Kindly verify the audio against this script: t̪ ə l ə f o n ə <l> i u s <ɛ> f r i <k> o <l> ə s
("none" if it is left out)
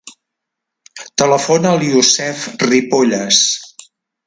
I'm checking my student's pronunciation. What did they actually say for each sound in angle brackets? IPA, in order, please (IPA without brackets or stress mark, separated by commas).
l, ɛ, p, ʎ